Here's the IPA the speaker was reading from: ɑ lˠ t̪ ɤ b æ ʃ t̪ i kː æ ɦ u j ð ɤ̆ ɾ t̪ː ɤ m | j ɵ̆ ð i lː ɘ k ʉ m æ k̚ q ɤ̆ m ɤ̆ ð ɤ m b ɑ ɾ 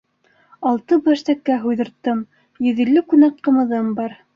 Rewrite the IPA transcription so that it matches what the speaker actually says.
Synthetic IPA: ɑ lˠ t̪ ɤ b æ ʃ t̪ æ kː æ ɦ u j ð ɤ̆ ɾ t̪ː ɤ m | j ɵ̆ ð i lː ɘ k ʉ n æ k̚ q ɤ̆ m ɤ̆ ð ɤ m b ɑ ɾ